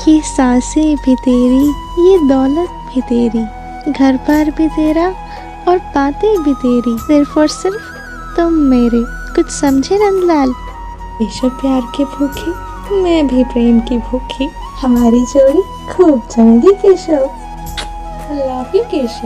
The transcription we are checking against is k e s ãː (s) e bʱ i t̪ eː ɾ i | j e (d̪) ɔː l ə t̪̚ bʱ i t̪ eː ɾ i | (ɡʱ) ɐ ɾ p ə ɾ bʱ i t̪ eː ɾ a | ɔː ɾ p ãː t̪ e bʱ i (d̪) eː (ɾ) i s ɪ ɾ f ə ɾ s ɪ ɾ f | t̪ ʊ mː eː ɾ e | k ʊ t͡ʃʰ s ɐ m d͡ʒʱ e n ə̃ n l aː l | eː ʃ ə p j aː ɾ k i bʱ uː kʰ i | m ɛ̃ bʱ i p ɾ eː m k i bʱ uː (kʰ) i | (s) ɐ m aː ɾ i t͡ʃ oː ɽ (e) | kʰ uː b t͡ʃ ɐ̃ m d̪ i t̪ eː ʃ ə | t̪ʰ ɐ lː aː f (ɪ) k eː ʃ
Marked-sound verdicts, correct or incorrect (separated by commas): correct, correct, correct, incorrect, correct, correct, incorrect, incorrect, incorrect